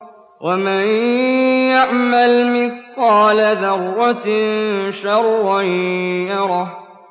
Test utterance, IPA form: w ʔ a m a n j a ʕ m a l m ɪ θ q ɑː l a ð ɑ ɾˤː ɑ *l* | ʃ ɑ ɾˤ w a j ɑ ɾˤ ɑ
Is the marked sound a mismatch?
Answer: yes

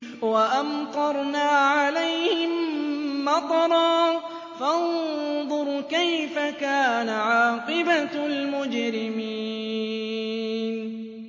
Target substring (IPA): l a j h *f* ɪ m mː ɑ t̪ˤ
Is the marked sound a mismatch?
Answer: yes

